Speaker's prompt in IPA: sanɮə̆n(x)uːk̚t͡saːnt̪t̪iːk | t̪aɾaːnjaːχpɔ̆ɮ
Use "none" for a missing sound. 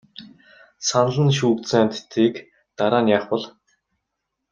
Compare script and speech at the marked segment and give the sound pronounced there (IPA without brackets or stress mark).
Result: ʃ